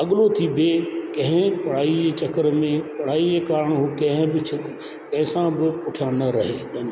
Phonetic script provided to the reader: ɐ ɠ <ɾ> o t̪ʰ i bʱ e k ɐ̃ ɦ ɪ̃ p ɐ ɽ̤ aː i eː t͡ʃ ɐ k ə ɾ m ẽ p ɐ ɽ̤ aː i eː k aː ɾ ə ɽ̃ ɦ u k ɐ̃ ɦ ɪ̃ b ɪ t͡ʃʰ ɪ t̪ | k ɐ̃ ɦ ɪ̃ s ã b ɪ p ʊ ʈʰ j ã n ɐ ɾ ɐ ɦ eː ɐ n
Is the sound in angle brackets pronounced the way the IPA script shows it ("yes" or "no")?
no